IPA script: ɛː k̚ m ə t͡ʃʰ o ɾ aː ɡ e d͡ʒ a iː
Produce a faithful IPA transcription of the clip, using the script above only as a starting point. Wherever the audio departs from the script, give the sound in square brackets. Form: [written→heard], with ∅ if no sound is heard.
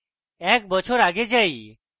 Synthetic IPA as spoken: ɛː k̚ [m→b] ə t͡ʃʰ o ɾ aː ɡ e d͡ʒ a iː